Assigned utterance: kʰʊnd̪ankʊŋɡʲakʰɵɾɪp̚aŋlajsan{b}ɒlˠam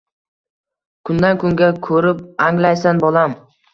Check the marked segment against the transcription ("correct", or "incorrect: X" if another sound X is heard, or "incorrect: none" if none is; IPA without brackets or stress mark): correct